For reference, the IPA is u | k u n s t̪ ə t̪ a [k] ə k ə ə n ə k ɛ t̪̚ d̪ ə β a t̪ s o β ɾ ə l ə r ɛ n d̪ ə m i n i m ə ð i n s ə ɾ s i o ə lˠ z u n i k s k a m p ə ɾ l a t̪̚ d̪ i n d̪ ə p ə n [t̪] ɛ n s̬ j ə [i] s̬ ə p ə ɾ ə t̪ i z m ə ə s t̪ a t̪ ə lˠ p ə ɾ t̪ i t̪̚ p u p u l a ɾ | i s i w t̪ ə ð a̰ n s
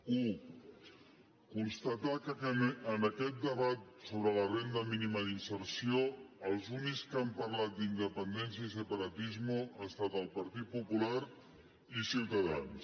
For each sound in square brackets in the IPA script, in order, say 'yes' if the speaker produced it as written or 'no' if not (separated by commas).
yes, no, yes